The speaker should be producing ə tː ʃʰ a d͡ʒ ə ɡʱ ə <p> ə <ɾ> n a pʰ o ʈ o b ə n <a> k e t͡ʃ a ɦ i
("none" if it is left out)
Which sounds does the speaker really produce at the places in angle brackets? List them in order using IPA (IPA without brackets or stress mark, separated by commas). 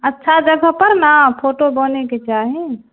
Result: p, ɾ, e